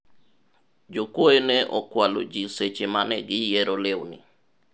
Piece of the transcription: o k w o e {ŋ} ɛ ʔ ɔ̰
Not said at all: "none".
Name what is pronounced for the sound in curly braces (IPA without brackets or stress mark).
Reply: n